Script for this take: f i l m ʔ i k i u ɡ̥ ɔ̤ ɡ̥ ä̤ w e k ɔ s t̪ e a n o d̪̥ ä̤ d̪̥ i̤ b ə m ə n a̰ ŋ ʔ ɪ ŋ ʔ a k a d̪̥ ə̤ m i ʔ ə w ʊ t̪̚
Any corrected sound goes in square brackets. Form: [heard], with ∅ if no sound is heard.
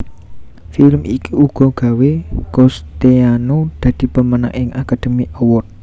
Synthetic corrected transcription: f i l m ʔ i k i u ɡ̥ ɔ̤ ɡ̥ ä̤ w e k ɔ s t̪ e a n o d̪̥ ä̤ d̪̥ i̤ [p] ə m ə n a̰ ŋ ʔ ɪ ŋ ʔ a k a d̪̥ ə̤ m i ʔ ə w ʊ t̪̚